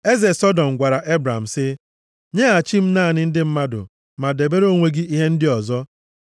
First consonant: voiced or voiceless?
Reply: voiced